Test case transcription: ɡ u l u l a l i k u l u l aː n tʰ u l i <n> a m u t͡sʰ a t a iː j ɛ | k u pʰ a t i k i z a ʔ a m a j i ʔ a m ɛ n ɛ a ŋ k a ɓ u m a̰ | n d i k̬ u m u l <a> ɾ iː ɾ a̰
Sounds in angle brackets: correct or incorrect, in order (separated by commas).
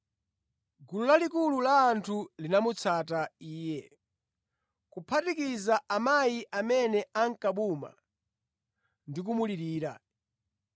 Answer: correct, incorrect